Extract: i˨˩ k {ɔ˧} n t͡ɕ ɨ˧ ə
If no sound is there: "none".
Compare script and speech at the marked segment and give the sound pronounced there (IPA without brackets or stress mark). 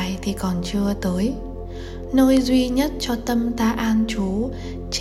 ɔ˨˩